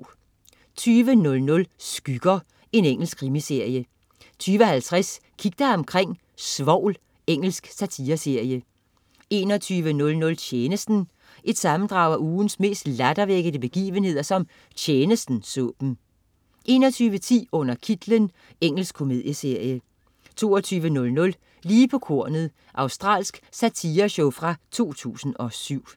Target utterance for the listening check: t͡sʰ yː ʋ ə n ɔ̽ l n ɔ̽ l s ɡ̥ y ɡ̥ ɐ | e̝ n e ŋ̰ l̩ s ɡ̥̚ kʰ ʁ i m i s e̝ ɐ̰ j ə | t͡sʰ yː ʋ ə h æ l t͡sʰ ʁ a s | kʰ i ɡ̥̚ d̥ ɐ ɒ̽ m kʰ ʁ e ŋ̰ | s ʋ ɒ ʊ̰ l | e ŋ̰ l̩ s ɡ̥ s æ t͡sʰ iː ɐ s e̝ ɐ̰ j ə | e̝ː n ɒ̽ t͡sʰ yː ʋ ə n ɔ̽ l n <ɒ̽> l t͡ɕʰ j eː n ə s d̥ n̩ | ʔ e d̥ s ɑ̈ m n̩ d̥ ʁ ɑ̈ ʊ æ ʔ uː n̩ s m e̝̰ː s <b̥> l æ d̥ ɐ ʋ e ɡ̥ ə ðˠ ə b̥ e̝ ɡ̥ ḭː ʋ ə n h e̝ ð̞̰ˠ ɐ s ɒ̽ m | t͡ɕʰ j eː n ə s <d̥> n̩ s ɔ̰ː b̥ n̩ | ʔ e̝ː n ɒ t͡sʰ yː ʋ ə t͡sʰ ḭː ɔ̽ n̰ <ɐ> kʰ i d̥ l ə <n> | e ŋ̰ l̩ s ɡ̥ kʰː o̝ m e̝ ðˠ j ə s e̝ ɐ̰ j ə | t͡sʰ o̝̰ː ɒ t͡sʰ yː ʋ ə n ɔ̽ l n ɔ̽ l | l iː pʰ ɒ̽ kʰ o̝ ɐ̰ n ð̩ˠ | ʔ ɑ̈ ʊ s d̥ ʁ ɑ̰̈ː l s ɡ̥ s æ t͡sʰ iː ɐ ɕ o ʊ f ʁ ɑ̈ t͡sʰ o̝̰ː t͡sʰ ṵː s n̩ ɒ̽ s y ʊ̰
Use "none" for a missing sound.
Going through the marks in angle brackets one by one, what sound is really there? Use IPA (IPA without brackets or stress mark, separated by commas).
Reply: ɔ̽, d̥, d̥, ɐ, n